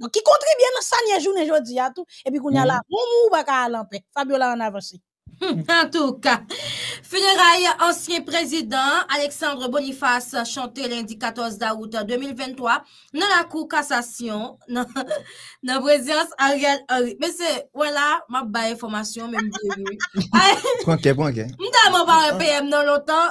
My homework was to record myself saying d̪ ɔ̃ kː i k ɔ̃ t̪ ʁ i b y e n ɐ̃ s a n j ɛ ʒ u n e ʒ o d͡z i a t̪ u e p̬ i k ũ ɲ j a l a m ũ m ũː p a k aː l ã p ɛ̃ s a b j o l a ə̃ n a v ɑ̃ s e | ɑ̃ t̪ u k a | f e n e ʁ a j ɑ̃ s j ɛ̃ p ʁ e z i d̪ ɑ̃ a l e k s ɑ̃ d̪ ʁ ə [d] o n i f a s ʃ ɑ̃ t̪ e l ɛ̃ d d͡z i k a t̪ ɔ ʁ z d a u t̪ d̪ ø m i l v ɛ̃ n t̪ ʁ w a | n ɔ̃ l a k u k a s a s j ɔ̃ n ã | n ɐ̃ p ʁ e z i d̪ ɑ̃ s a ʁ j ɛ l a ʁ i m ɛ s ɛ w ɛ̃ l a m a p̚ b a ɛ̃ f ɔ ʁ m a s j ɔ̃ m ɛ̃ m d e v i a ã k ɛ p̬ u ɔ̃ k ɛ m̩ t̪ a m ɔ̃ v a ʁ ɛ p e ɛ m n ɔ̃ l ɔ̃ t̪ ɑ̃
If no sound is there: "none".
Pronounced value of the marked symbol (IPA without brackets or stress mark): b